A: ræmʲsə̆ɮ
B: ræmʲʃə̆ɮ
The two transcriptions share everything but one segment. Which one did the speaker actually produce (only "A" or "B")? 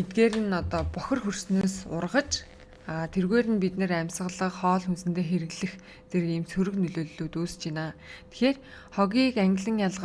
A